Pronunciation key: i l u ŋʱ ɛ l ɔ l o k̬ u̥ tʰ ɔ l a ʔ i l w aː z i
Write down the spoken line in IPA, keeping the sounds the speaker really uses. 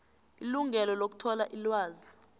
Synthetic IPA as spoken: i l u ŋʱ ɛ l ɔ l o k̬ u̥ tʰ ɔ l a ʔ i l w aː z i